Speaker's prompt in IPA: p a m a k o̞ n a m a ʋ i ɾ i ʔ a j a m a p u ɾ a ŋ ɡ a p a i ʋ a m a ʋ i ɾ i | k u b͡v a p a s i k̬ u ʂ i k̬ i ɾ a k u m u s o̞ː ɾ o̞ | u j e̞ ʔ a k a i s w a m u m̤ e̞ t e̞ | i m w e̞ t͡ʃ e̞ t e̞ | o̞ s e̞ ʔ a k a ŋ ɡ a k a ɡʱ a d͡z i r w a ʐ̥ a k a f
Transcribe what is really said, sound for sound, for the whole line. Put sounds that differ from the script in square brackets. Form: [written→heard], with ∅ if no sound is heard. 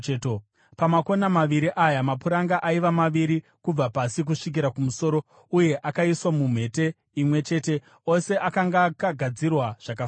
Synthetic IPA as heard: p a m a k o̞ n a m a ʋ i ɾ i ʔ a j a m a p u ɾ a ŋ ɡ a [p→ʔ] a i ʋ a m a ʋ i ɾ i | k u b͡v a p a s i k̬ u ʂ i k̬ i ɾ a k u m u s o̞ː ɾ o̞ | u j e̞ ʔ a k a i s w a m u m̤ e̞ t e̞ | i m w e̞ t͡ʃ e̞ t e̞ | o̞ s e̞ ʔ a k a ŋ ɡ a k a ɡʱ a d͡z i r w a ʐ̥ a k a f